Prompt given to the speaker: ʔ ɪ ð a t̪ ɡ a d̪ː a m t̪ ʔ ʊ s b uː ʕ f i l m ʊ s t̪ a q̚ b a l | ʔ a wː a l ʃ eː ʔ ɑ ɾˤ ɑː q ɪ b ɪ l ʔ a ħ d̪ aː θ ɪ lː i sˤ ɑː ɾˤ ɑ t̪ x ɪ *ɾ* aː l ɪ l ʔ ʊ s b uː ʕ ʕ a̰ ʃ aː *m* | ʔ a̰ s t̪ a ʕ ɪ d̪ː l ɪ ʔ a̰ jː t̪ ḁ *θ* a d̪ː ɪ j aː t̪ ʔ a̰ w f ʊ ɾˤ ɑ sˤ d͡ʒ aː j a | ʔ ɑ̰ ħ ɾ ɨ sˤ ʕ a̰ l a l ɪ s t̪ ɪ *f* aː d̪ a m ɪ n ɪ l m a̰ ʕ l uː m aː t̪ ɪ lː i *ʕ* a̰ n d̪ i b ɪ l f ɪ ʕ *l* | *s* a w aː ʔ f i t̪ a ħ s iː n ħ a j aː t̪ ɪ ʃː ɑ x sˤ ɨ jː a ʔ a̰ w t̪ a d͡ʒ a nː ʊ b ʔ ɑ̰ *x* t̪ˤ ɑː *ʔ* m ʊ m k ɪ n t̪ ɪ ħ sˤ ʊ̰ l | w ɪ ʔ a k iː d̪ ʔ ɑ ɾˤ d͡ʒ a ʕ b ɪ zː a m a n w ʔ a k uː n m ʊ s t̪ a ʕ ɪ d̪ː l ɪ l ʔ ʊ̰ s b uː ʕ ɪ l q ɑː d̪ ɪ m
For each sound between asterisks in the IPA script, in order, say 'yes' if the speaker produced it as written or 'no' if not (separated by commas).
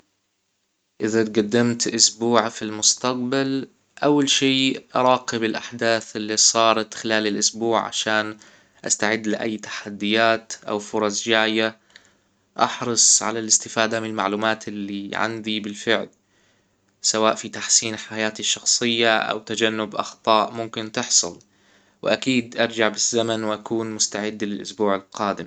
no, no, no, yes, yes, yes, yes, yes, yes